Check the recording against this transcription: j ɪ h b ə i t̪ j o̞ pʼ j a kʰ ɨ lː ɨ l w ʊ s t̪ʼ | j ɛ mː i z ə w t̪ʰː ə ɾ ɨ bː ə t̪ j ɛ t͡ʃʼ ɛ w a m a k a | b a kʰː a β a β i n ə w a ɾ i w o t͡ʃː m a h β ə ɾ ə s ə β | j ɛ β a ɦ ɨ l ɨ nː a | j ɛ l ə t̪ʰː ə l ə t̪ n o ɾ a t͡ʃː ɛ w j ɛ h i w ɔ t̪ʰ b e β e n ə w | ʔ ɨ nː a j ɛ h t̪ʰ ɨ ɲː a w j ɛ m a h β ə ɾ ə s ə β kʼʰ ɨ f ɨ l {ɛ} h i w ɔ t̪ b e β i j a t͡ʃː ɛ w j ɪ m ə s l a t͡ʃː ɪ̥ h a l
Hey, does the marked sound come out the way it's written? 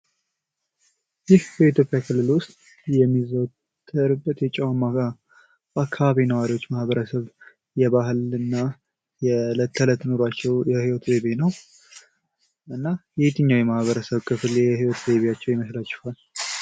yes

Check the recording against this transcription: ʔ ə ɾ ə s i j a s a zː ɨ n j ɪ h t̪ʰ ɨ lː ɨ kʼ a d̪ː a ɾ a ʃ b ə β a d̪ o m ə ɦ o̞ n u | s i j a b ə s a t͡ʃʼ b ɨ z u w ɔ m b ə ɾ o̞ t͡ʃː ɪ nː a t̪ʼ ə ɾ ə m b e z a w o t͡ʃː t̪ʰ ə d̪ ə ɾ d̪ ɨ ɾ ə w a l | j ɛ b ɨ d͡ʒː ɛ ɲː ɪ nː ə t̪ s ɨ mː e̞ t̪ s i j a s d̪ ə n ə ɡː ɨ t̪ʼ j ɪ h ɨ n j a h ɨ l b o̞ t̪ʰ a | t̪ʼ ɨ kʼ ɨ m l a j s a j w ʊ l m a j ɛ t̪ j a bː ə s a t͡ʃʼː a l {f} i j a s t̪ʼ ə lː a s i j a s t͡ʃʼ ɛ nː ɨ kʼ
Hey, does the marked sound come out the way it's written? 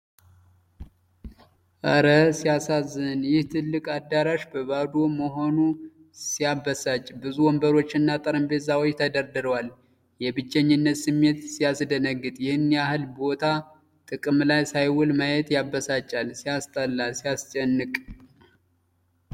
no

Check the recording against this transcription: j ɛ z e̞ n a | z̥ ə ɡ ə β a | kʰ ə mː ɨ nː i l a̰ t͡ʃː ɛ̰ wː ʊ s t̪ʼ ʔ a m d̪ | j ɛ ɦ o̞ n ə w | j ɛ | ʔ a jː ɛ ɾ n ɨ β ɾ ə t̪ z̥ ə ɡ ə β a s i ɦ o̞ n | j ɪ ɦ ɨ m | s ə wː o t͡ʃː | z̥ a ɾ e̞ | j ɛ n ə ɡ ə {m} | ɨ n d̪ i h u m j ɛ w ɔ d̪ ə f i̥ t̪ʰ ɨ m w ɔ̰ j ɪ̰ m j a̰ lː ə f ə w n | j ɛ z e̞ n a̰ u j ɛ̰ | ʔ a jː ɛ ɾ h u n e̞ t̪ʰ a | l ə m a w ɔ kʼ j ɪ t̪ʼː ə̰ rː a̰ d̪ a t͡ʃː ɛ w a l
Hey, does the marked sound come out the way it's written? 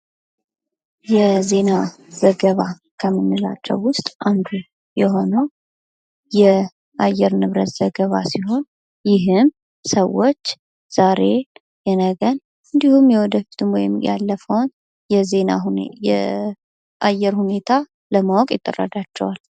no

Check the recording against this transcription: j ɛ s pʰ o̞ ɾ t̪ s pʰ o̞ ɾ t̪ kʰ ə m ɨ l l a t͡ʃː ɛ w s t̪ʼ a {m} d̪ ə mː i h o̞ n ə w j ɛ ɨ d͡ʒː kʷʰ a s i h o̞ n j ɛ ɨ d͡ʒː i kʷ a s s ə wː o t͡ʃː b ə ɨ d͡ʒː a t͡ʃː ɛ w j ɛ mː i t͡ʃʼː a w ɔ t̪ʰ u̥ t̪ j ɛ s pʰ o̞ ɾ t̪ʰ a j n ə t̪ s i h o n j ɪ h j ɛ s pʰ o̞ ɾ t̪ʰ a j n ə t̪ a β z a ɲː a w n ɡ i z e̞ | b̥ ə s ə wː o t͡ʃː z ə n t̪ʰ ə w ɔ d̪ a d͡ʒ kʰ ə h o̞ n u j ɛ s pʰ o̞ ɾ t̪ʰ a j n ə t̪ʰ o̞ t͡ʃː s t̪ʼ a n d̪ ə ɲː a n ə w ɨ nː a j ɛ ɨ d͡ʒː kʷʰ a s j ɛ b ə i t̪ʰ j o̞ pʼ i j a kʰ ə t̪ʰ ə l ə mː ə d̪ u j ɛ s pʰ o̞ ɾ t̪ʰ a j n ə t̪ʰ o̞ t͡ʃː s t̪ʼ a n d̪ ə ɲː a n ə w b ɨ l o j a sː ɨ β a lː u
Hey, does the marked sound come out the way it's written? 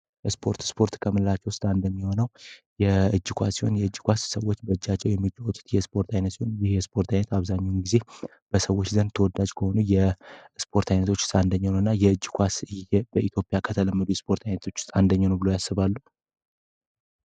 no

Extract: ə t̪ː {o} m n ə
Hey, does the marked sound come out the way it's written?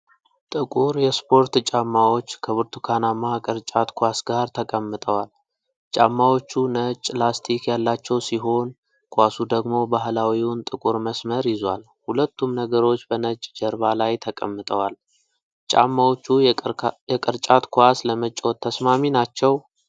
no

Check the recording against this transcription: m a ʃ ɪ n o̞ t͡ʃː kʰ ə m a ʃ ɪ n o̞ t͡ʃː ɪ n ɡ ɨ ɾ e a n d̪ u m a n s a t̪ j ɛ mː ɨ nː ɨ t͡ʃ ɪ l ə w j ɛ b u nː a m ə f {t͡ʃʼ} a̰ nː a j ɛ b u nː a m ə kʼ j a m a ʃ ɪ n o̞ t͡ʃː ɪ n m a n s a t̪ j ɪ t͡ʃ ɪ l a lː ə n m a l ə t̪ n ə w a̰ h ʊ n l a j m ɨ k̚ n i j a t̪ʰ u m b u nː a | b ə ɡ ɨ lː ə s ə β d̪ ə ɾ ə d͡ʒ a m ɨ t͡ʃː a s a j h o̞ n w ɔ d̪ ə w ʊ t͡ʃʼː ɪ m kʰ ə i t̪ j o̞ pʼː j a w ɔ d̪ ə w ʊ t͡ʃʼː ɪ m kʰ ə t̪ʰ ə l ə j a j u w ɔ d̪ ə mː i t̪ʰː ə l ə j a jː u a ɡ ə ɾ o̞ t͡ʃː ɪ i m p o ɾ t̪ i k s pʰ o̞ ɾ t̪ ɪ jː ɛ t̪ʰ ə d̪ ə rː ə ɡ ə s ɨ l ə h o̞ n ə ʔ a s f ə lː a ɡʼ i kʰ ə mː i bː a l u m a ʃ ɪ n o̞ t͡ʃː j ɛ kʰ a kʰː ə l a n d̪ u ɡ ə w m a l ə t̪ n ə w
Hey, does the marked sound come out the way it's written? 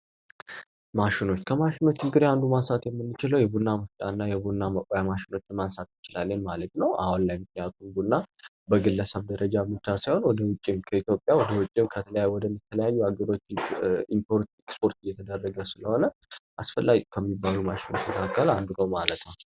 yes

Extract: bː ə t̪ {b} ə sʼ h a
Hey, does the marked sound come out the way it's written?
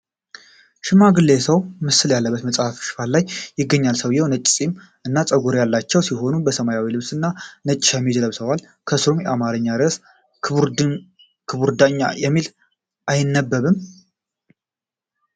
no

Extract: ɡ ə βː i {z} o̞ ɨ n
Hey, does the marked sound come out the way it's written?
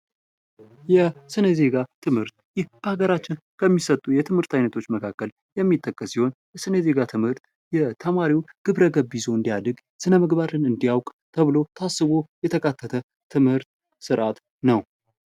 yes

